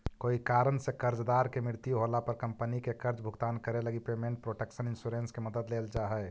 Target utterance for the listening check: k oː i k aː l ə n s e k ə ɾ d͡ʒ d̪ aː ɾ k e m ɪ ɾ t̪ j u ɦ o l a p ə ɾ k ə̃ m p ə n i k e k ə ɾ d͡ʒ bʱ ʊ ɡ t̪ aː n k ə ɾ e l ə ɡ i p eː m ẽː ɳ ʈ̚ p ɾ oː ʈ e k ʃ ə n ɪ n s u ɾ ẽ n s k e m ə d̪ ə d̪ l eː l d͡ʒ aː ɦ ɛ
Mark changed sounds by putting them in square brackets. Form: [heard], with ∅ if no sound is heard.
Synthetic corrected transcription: k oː i k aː [ɾ] ə n s e k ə ɾ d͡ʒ d̪ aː ɾ k e m ɪ ɾ t̪ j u ɦ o l a p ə ɾ k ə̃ m p ə n i k e k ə ɾ d͡ʒ bʱ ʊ ɡ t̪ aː n k ə ɾ e l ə ɡ i p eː m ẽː ɳ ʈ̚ p ɾ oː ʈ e k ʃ ə n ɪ n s u ɾ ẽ n s k e m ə d̪ ə d̪ l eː l d͡ʒ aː ɦ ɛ